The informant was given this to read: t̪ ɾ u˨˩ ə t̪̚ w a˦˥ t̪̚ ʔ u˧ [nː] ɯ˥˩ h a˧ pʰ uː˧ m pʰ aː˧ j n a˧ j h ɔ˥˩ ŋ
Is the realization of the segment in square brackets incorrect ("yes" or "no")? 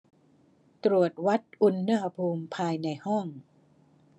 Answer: no